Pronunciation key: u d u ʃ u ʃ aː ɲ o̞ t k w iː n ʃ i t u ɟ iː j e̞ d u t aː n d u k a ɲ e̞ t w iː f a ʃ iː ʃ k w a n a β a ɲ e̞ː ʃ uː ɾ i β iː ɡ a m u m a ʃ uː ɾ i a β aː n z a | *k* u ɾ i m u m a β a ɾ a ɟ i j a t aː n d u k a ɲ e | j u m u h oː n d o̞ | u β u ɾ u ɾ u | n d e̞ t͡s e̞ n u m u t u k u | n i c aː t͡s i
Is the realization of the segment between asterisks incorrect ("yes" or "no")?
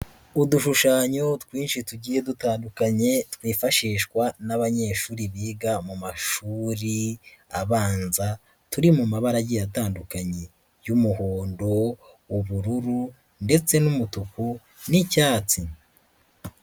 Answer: yes